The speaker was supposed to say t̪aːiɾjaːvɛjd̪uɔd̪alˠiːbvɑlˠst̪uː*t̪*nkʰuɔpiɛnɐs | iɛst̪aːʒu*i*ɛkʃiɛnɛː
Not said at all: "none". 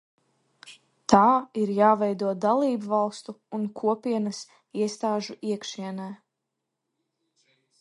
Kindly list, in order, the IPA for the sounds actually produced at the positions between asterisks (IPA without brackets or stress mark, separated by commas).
none, i